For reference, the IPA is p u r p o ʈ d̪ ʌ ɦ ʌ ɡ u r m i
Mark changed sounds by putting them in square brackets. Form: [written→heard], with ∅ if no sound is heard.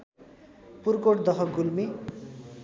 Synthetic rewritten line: p u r [p→k] o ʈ d̪ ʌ ɦ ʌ ɡ u [r→l] m i

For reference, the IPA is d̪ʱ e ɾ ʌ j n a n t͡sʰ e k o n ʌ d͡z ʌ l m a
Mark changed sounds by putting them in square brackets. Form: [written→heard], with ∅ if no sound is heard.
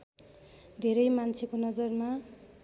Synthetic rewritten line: d̪ʱ e ɾ ʌ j [n→m] a n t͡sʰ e k o n ʌ d͡z ʌ [l→r] m a

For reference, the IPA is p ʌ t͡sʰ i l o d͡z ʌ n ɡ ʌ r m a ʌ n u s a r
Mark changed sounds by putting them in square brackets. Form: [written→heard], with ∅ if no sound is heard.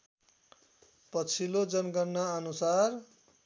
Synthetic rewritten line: p ʌ t͡sʰ i l o d͡z ʌ n ɡ ʌ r [m→n] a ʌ n u s a r

